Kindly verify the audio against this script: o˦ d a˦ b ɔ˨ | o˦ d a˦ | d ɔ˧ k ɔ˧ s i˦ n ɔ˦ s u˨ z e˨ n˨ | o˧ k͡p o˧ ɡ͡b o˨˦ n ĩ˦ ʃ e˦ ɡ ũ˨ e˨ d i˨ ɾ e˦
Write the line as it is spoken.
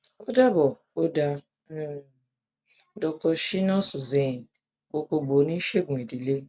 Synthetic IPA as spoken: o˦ d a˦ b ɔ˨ | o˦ d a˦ | d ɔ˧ k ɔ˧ ʃ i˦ n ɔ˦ s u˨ z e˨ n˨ | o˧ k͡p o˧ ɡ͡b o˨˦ n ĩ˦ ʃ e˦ ɡ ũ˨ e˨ d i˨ l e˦